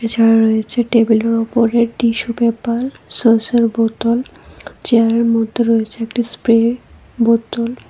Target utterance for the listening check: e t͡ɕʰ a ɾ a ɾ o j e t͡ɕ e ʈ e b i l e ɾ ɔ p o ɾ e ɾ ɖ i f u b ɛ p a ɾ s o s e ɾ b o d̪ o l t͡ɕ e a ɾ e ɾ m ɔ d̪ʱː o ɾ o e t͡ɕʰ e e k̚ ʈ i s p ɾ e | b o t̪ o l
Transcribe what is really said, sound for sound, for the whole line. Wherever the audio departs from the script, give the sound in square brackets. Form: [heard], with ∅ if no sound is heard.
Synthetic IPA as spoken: e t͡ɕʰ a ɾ a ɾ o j e [t͡ɕʰ] e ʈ e b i l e ɾ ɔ p o ɾ e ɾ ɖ i [ʃ] u b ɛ p a ɾ s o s e ɾ b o [t̪] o l t͡ɕ e a ɾ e ɾ m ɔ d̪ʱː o ɾ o e t͡ɕʰ e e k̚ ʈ i s p ɾ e | b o t̪ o l